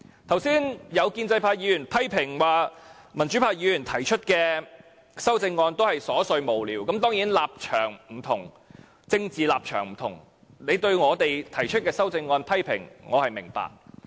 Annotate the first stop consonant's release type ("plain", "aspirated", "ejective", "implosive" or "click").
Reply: aspirated